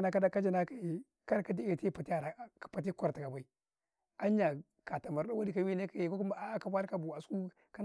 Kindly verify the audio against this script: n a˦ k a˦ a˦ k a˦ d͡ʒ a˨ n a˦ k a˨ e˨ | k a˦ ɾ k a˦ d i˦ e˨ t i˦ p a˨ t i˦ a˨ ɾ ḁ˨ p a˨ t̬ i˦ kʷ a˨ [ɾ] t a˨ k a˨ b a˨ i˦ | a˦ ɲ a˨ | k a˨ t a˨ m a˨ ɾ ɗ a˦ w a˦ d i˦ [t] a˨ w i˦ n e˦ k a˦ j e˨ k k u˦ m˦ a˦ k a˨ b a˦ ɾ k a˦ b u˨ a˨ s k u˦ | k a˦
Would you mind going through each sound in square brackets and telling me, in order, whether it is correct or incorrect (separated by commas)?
correct, incorrect